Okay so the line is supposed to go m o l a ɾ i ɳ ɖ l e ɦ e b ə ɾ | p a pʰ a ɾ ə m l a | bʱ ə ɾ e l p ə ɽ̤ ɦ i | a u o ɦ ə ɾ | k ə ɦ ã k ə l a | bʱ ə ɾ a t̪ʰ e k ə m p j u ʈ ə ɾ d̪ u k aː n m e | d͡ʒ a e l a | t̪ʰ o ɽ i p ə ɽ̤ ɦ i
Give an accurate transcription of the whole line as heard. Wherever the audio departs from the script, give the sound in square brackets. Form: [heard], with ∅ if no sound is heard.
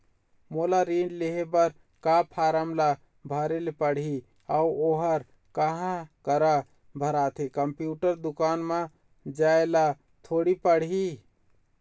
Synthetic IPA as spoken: m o l a ɾ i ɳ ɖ l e ɦ e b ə ɾ | [k] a pʰ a ɾ ə m l a | bʱ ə ɾ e l p ə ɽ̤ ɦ i | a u o ɦ ə ɾ | k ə ɦ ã k ə [ɾ] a | bʱ ə ɾ a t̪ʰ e k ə m p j u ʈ ə ɾ d̪ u k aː n m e | d͡ʒ a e l a | t̪ʰ o ɽ i p ə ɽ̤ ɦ i

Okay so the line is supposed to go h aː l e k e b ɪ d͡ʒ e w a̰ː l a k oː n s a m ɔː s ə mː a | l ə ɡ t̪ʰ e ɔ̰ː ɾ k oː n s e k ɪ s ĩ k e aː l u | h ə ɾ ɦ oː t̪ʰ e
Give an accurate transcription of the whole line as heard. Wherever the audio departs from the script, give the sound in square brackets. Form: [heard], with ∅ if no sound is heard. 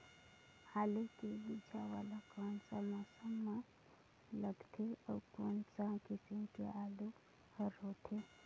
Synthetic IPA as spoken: h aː l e k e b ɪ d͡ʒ [a] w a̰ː l a k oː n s a m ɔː s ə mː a | l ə ɡ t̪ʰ e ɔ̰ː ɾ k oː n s [a] k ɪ s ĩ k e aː l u | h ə ɾ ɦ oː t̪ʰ e

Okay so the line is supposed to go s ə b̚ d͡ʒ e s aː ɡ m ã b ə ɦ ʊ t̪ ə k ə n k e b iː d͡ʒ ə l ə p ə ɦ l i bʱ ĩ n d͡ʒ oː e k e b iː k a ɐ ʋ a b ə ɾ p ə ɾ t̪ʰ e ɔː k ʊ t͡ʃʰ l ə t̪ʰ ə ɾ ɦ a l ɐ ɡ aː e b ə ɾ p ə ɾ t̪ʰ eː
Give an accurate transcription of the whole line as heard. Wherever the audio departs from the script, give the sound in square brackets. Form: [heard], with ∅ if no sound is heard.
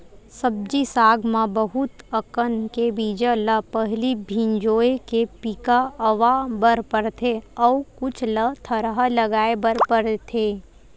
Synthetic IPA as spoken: s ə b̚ d͡ʒ [i] s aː ɡ m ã b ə ɦ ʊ t̪ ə k ə n k e b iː d͡ʒ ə l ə p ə ɦ l i bʱ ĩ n d͡ʒ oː e k e [p] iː k a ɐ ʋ a b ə ɾ p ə ɾ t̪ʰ e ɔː k ʊ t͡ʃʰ l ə t̪ʰ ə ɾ ɦ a l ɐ ɡ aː e b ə ɾ p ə ɾ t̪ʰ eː

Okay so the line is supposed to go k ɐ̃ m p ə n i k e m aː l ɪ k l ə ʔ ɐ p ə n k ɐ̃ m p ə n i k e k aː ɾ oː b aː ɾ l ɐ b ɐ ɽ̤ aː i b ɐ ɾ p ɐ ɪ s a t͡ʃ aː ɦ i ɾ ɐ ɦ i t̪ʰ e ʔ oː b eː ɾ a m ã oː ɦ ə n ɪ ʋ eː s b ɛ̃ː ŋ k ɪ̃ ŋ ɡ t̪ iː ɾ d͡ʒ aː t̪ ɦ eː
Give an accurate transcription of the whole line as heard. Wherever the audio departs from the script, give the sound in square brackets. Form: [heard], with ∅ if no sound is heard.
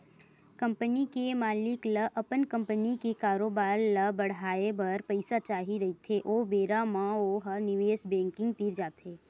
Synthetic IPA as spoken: k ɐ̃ m p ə n i k e m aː l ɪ k l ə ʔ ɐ p ə n k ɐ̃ m p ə n i k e k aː ɾ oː b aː ɾ l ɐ b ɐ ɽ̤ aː [e] b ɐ ɾ p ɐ ɪ s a t͡ʃ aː ɦ i ɾ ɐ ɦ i t̪ʰ e ʔ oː b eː ɾ a m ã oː ɦ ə n ɪ ʋ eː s b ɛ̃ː ŋ k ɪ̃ ŋ ɡ t̪ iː ɾ d͡ʒ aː t̪ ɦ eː

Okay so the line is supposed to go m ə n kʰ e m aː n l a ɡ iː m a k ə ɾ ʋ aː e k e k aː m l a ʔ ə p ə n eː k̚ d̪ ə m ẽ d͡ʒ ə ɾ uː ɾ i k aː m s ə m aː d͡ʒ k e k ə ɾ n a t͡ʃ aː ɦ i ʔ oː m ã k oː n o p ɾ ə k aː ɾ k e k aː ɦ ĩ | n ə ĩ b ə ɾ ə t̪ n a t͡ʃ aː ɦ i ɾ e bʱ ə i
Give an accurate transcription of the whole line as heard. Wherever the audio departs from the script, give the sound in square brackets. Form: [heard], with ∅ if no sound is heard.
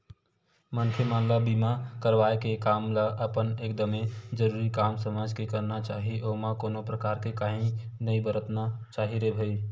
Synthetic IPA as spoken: m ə n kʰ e m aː n l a [b] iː m a k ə ɾ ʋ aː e k e k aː m l a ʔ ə p ə n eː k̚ d̪ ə m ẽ d͡ʒ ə ɾ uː ɾ i k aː m s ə m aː d͡ʒ k e k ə ɾ n a t͡ʃ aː ɦ i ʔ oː m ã k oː n o p ɾ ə k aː ɾ k e k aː ɦ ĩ | n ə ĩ b ə ɾ ə t̪ n a t͡ʃ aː ɦ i ɾ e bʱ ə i

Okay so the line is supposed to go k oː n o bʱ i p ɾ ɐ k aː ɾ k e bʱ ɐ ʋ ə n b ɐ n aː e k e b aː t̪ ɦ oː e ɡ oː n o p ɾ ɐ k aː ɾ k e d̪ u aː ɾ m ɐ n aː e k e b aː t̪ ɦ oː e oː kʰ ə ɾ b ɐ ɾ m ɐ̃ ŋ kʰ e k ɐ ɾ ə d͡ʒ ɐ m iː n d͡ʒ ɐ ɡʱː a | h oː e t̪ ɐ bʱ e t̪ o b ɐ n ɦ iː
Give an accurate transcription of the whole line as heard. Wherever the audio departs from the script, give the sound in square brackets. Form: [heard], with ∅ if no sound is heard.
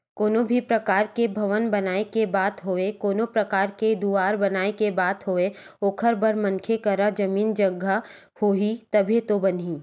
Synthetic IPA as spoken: k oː n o bʱ i p ɾ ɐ k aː ɾ k e bʱ ɐ ʋ ə n b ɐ n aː e k e b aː t̪ ɦ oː e [k] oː n o p ɾ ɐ k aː ɾ k e d̪ u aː ɾ [b] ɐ n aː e k e b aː t̪ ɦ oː e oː kʰ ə ɾ b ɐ ɾ m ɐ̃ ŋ kʰ e k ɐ ɾ [a] d͡ʒ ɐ m iː n d͡ʒ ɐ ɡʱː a | h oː [i] t̪ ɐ bʱ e t̪ o b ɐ n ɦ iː

